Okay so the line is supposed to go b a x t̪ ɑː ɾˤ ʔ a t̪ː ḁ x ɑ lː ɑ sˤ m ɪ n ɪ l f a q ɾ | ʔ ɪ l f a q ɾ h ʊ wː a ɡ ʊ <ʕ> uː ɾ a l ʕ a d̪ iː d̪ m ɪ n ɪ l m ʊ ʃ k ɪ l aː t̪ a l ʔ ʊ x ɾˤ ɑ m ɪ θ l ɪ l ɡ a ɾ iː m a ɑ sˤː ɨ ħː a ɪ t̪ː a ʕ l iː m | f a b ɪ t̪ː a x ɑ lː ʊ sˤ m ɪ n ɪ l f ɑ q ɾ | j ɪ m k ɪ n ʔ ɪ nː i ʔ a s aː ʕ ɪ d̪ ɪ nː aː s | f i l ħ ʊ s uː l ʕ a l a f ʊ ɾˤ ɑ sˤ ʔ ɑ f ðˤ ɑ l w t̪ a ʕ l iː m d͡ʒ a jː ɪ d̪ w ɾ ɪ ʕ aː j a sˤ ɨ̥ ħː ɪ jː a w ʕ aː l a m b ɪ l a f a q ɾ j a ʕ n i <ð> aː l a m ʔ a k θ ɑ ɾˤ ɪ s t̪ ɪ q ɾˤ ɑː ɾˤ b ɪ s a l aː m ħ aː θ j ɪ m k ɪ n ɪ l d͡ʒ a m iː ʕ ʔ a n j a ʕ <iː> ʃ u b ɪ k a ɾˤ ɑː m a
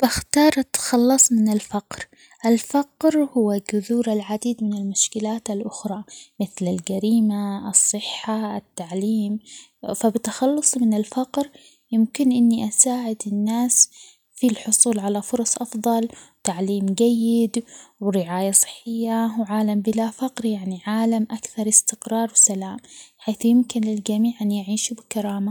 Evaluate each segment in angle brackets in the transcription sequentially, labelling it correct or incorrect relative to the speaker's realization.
incorrect: ð, incorrect: ʕ, correct

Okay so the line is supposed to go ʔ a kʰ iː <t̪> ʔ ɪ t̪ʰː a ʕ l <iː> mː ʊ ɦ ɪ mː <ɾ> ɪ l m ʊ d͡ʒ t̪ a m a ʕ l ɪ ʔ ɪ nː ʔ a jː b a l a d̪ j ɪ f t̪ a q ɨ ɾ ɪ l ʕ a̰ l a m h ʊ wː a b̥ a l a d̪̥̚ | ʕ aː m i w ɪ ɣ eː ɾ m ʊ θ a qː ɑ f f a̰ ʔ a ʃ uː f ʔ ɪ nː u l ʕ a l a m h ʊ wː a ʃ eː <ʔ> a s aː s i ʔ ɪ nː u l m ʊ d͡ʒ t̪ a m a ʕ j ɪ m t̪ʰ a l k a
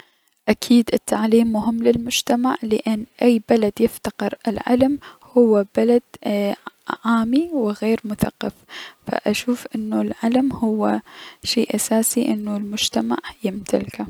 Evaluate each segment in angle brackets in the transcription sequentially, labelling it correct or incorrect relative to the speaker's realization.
incorrect: d̪, correct, incorrect: l, correct

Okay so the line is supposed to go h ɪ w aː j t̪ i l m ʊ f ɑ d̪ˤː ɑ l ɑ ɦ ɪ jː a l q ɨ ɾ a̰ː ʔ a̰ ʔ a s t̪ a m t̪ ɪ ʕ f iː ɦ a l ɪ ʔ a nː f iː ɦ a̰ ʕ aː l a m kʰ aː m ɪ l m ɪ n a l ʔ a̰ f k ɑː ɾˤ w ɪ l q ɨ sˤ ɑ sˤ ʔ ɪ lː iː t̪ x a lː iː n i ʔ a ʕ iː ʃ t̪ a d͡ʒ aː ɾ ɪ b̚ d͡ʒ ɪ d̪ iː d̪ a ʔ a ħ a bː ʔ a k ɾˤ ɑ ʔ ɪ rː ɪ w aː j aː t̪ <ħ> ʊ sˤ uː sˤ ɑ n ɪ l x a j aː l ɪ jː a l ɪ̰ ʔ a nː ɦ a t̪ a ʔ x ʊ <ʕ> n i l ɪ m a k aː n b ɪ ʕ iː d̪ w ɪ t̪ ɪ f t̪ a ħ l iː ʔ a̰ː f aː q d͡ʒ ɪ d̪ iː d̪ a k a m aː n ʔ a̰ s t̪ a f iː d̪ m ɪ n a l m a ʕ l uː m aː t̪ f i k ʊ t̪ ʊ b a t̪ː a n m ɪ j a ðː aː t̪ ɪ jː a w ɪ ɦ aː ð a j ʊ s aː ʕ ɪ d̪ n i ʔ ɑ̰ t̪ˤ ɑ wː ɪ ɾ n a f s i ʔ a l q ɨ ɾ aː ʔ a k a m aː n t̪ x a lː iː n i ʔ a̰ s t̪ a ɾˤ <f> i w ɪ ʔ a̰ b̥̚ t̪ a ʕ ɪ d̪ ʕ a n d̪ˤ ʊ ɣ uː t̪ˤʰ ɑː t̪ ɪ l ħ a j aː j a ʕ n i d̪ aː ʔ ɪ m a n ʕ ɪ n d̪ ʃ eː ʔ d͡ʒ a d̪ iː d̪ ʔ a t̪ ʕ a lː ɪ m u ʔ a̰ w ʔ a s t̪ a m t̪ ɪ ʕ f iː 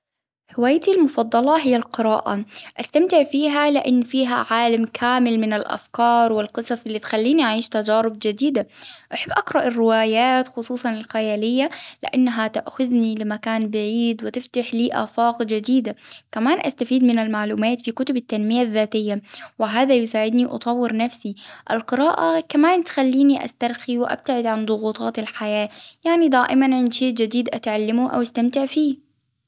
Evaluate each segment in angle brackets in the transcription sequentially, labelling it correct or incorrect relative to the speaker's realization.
incorrect: x, incorrect: ð, incorrect: x

